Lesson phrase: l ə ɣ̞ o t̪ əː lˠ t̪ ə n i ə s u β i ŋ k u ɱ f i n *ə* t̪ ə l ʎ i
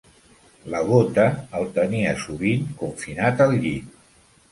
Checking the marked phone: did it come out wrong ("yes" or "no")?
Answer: yes